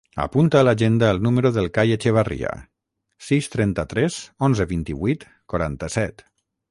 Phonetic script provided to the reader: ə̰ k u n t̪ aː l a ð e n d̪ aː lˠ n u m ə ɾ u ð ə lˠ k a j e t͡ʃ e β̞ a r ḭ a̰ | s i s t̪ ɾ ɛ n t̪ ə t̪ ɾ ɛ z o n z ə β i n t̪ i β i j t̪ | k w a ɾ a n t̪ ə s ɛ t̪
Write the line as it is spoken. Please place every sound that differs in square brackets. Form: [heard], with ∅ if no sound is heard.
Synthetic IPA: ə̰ [p] u n t̪ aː l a [ʒ] e n d̪ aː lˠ n u m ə ɾ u ð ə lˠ k a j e t͡ʃ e β̞ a r ḭ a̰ | s i s t̪ ɾ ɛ n t̪ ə t̪ ɾ ɛ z o n z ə β i n t̪ i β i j t̪ | k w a ɾ a n t̪ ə s ɛ t̪

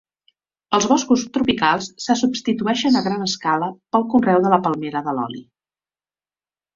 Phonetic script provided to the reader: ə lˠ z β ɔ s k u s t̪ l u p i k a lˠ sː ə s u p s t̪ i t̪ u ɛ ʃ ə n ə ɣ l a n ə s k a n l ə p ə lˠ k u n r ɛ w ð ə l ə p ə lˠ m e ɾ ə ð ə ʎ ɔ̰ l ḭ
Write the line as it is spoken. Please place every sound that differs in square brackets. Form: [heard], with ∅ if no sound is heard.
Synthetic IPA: ə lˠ z β ɔ s k u s t̪ [ɾ] u p i k a lˠ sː ə s u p s t̪ i t̪ u ɛ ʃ ə n ə ɣ [ɾ] a n ə s k a [∅] l ə p ə lˠ k u n r ɛ w ð ə l ə p ə lˠ m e ɾ ə ð ə [l] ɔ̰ l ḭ

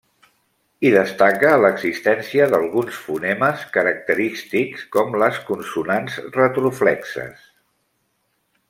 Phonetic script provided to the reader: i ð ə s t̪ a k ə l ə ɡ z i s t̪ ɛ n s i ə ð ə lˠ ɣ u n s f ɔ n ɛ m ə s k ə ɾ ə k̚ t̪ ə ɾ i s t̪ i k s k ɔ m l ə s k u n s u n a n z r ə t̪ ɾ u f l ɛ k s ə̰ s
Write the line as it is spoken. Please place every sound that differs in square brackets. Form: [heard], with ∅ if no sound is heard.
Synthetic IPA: i ð ə s t̪ a k ə l ə ɡ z i s t̪ ɛ n s i ə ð ə lˠ ɣ u n s f [u] n ɛ m ə s k ə ɾ ə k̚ t̪ ə ɾ i s t̪ i k s k ɔ m l ə s k u n s u n a n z r ə t̪ ɾ u f l ɛ k s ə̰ s

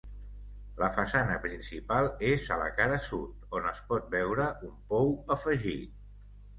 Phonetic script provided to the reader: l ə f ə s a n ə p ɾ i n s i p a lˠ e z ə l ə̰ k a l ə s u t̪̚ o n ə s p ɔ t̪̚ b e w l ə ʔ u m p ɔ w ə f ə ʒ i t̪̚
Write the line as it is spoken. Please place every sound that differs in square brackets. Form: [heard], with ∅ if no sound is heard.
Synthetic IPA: l ə f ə s a n ə p ɾ i n s i p a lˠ e z ə l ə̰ k a [ɾ] ə s u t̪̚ o n ə s p ɔ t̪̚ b [ɛ] w [ɾ] ə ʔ u m p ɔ w ə f ə ʒ i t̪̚

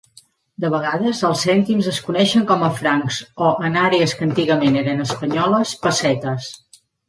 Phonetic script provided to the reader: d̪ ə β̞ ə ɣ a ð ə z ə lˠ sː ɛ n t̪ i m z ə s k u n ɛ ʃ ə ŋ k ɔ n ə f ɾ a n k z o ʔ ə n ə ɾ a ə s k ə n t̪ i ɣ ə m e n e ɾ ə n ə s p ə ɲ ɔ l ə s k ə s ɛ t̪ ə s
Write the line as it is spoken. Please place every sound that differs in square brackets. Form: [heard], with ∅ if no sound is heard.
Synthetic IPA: d̪ ə β̞ ə ɣ a ð ə z ə lˠ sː ɛ n t̪ i m z ə s k u n ɛ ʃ ə ŋ k ɔ [m] ə f ɾ a [ŋ] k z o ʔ ə n [a] ɾ [e] ə s k ə n t̪ i ɣ ə m e n e ɾ ə n ə s p ə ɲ ɔ l ə s [p] ə s ɛ t̪ ə s

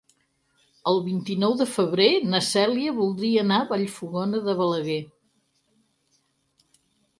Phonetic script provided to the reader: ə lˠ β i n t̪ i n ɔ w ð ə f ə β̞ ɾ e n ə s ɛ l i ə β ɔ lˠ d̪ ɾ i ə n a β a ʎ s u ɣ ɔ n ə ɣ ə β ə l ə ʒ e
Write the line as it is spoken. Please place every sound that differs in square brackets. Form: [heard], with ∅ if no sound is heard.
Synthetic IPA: ə lˠ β i n t̪ i n ɔ w ð ə f ə β̞ ɾ e n ə s ɛ l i ə β [u] lˠ d̪ ɾ i ə n a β a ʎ [f] u ɣ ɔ n ə [ð] ə β ə l ə [ɣ] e

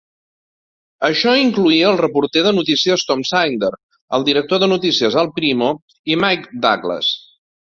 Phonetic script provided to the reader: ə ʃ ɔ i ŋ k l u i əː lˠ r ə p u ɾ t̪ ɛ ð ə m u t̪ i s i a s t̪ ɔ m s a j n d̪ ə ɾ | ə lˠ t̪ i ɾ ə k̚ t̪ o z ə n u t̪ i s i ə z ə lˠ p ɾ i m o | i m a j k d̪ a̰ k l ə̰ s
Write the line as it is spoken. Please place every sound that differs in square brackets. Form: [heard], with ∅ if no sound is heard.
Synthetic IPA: ə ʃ ɔ i ŋ k l u i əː lˠ r ə p u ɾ t̪ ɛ ð ə [n] u t̪ i s i [ə] s t̪ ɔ m s a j n d̪ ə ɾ | ə lˠ [d̪] i ɾ ə k̚ t̪ o [ð] ə n u t̪ i s i ə z ə lˠ p ɾ i m o | i m a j k d̪ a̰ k l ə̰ s

